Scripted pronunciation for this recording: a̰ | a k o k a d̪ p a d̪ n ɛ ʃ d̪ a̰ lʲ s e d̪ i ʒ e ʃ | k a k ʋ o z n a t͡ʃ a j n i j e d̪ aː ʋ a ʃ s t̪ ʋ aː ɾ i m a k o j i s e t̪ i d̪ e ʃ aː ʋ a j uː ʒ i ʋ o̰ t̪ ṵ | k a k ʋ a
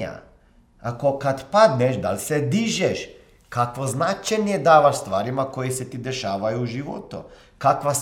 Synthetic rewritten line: a̰ | a k o k a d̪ p a d̪ n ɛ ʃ d̪ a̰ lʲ s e d̪ i ʒ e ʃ | k a k ʋ o z n a t͡ʃ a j n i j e d̪ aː ʋ a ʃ s t̪ ʋ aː ɾ i m a k o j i s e t̪ i d̪ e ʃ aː ʋ a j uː ʒ i ʋ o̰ t̪ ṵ | k a k ʋ a